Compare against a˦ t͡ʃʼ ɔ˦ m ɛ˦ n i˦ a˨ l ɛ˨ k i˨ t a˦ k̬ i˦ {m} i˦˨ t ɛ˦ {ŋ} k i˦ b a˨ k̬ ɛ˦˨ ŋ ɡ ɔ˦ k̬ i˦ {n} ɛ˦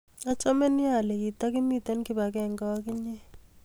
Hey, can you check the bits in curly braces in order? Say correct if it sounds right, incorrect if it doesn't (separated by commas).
correct, incorrect, incorrect